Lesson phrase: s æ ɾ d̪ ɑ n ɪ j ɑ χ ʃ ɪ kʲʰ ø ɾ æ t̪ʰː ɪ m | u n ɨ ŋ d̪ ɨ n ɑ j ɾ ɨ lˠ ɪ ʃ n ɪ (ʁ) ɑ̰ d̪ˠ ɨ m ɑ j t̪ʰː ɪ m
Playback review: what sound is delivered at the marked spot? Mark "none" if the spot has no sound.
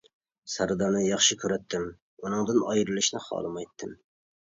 χ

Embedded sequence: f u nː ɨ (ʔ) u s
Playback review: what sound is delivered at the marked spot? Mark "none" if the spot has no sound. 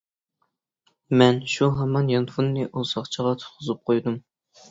ʔ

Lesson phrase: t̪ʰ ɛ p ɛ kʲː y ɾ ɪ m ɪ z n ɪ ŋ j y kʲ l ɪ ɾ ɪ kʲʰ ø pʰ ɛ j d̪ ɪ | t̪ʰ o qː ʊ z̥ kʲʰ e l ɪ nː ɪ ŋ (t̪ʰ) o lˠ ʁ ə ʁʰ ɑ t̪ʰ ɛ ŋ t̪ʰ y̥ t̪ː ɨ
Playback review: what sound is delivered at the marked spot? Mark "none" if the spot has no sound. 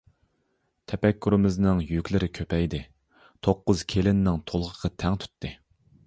t̪ʰ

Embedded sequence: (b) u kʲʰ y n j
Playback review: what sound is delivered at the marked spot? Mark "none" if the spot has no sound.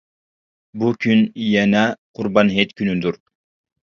b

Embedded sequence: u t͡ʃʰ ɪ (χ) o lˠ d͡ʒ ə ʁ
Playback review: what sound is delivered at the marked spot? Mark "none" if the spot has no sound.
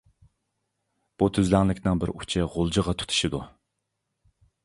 ʁ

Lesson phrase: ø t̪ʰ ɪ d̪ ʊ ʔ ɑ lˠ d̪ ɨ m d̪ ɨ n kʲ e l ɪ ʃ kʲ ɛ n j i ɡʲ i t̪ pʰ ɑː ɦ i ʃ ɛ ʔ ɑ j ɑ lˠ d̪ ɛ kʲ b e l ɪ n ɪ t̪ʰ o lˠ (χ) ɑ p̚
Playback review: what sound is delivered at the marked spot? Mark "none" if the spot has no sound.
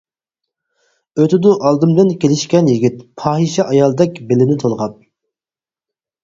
ʁ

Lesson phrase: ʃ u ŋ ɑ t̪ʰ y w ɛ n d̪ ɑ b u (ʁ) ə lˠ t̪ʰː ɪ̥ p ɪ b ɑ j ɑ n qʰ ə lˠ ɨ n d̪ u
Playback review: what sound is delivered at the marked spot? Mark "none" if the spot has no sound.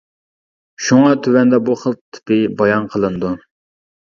χ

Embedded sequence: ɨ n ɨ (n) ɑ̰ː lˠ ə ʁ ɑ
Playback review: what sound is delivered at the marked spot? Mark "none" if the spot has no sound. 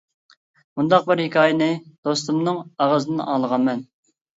n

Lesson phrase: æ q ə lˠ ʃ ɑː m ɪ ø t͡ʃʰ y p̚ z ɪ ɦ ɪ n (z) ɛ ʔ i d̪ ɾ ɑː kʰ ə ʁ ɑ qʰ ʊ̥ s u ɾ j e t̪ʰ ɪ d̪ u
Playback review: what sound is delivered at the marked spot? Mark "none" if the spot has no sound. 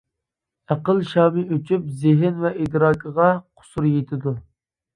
v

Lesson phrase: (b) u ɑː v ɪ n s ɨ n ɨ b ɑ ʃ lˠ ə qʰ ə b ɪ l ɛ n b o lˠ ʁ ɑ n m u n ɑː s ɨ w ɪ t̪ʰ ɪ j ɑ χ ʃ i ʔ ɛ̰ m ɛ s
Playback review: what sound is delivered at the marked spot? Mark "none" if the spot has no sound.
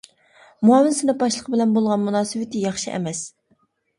m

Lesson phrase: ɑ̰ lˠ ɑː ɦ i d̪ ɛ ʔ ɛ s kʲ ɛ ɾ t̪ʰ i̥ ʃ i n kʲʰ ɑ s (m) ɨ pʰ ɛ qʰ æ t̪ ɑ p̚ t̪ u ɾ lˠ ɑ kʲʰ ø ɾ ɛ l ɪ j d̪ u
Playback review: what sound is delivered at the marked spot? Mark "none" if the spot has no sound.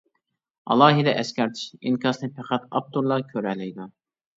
n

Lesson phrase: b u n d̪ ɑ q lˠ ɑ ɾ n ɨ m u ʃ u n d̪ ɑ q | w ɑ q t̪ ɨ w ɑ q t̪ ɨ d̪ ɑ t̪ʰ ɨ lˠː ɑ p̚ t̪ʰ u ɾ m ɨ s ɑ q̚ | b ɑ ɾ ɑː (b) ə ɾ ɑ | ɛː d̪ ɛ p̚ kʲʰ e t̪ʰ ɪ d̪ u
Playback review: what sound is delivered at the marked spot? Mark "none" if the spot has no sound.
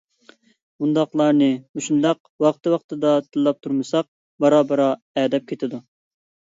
b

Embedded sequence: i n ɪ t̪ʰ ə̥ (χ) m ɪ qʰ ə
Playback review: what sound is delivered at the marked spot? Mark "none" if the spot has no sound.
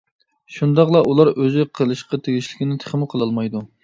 χ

